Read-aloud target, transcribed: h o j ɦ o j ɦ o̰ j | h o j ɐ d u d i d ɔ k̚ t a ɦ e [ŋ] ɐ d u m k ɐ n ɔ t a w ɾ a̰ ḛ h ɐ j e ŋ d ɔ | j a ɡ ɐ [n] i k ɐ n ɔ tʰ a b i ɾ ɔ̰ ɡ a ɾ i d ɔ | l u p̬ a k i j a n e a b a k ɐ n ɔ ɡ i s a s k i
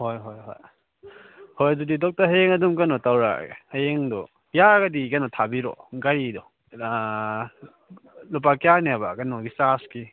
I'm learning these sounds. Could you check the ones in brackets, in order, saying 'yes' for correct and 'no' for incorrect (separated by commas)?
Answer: yes, no